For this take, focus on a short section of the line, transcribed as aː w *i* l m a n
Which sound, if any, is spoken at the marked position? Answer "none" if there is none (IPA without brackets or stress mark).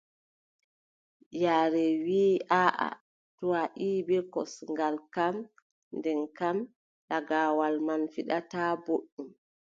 a